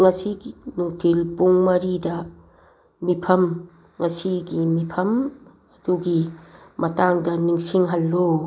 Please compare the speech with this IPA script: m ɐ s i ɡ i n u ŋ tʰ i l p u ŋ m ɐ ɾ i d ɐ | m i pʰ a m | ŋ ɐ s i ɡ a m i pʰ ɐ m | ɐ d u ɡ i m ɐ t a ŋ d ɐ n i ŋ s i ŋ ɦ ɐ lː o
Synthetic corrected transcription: ŋ ɐ s i ɡ i n u ŋ tʰ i l p u ŋ m ɐ ɾ i d ɐ | m i pʰ ɐ m | ŋ ɐ s i ɡ i m i pʰ ɐ m | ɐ d u ɡ i m ɐ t a ŋ d ɐ n i ŋ s i ŋ ɦ ɐ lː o